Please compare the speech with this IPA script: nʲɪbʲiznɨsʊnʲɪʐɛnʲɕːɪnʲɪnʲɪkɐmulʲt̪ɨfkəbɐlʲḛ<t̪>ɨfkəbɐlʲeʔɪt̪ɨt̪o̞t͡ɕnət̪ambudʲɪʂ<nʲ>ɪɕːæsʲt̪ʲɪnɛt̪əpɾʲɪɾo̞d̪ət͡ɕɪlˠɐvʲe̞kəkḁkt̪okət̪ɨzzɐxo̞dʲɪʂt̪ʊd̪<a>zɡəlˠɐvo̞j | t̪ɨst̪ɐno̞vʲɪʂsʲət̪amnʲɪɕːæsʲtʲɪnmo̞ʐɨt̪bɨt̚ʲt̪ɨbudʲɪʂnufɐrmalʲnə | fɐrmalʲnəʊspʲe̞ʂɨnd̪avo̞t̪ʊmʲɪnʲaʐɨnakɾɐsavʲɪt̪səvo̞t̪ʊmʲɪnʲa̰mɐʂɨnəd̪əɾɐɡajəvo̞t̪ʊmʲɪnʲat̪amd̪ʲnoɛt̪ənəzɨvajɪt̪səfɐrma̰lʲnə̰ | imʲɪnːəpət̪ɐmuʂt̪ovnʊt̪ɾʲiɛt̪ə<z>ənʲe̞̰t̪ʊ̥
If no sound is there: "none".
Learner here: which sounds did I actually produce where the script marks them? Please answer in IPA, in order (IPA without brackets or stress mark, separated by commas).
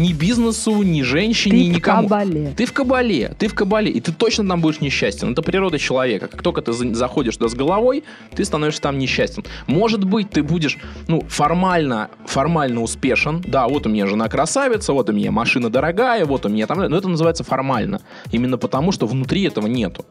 t̪, nʲ, a, v